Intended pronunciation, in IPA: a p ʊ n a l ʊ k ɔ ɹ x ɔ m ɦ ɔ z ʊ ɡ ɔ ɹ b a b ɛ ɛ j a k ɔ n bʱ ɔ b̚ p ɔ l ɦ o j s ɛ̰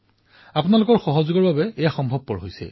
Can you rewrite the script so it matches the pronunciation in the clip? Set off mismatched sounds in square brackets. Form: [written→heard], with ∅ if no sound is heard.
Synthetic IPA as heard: a p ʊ n a l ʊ k ɔ ɹ x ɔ [m→∅] ɦ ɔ z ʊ ɡ ɔ ɹ b a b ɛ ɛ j a [k→x] ɔ [n→m] bʱ ɔ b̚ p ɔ [l→ɹ] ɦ o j s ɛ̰